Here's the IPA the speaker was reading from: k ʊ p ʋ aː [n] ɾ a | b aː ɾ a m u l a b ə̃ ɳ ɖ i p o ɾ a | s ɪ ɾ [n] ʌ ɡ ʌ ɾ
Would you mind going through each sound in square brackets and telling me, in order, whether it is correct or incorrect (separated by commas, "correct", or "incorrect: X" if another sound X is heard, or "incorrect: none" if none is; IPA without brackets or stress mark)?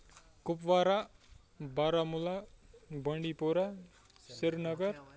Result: incorrect: none, correct